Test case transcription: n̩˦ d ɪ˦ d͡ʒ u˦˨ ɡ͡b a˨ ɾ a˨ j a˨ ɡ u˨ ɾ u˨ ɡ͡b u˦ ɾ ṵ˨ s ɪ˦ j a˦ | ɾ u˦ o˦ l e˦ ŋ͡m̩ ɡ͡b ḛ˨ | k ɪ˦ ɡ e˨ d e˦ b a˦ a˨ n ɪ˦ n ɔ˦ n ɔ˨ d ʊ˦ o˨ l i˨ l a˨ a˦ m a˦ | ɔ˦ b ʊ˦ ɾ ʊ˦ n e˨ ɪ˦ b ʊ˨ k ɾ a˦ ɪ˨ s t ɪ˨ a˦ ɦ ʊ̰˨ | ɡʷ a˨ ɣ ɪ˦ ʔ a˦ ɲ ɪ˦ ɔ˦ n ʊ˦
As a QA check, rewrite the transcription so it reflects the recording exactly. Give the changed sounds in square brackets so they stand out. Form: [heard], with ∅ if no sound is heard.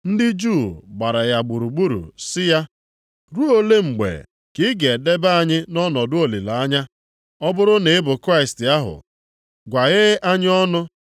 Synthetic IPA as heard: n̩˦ d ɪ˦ d͡ʒ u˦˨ ɡ͡b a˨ ɾ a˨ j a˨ [ɡ͡b] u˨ ɾ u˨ ɡ͡b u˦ ɾ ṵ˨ s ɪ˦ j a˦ | ɾ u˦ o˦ l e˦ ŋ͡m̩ ɡ͡b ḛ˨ | k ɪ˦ ɡ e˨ d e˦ b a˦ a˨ [ɲ] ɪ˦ n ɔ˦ n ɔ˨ d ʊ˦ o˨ l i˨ l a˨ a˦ [ɲ] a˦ | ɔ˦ b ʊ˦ ɾ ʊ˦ n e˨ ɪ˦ b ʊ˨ k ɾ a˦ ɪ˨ s t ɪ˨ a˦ ɦ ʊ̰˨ | ɡʷ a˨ ɣ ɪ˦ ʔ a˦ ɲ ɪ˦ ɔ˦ n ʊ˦